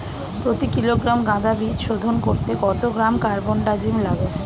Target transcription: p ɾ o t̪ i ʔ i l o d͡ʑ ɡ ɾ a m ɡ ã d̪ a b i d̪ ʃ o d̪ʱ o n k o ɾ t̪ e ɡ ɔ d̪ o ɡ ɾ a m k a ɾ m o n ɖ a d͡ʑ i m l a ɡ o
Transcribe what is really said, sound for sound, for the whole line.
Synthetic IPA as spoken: p ɾ o t̪ i k i l o ɡ ɾ a m ɡ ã d̪ a b i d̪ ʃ o d̪ʱ o n k o ɾ t̪ e ɡ ɔ t̪ o ɡ ɾ a m k a ɾ b o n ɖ a d͡ʑ i m l a ɡ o